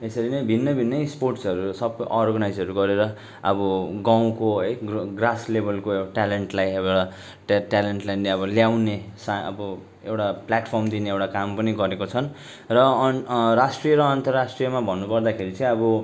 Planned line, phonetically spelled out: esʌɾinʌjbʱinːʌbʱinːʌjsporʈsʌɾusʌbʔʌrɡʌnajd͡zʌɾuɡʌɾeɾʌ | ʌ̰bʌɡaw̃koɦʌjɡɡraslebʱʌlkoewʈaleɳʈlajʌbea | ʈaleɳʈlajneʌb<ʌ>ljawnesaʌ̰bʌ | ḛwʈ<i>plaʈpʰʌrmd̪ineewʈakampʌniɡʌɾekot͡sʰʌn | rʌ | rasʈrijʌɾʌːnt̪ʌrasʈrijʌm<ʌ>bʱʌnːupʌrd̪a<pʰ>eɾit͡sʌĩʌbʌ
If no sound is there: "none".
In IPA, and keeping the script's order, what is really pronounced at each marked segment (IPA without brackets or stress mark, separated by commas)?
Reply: ʌ, a, a, kʰ